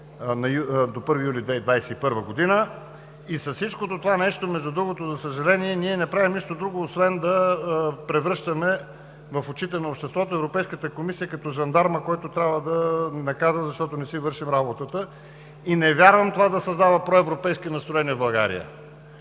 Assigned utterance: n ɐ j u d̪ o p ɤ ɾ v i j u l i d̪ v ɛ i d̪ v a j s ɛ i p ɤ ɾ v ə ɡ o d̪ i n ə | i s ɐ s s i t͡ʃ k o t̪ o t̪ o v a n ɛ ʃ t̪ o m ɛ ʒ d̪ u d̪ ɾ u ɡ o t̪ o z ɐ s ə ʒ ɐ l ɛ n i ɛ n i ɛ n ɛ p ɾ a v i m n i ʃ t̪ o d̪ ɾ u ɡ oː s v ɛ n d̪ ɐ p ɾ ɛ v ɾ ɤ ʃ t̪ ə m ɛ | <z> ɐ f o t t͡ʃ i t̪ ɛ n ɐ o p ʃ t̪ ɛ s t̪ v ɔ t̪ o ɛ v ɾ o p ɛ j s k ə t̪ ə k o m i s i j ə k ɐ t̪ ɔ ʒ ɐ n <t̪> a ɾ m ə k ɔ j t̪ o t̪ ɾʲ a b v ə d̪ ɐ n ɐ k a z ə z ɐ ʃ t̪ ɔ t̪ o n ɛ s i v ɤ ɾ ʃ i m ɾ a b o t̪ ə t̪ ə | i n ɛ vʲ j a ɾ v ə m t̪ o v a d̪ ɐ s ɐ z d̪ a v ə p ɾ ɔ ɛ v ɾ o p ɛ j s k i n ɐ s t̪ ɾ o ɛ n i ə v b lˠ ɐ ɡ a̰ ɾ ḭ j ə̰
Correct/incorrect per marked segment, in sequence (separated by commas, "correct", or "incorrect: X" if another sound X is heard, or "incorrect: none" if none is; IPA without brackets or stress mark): incorrect: v, incorrect: d̪